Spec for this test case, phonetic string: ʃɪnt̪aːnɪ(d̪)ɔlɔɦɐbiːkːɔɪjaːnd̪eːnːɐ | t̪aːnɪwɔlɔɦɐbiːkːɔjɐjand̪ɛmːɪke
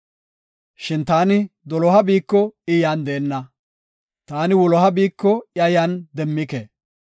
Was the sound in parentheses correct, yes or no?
yes